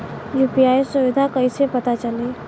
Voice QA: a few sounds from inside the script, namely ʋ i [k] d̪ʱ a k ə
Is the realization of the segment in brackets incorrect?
yes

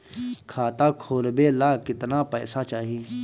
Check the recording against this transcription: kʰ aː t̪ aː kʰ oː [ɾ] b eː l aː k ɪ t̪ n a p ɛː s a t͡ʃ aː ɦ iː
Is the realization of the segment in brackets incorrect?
yes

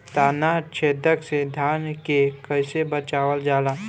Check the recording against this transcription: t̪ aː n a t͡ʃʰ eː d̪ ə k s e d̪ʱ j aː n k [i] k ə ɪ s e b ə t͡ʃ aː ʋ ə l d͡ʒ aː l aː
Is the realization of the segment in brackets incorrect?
yes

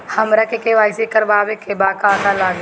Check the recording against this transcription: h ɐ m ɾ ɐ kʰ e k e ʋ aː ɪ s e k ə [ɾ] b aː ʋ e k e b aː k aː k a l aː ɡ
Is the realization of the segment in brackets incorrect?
no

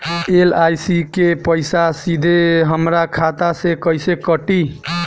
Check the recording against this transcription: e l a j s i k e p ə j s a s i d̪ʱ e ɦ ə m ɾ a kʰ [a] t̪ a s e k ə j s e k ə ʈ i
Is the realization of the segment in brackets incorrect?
no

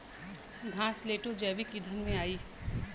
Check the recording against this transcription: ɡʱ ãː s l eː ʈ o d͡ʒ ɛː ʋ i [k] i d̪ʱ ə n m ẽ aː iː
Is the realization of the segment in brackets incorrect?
no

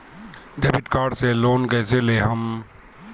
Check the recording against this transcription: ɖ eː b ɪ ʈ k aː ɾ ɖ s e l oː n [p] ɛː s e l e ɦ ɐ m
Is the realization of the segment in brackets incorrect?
yes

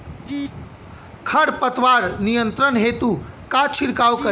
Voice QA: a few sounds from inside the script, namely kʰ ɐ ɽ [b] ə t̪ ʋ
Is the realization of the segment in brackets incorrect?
yes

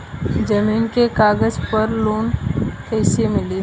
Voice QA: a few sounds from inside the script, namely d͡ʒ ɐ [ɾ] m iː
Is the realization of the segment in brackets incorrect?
yes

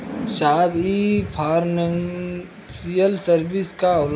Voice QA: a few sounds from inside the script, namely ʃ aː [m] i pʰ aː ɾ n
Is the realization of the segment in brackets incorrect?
yes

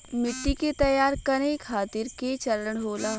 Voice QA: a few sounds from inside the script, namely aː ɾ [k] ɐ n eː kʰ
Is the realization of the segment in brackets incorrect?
no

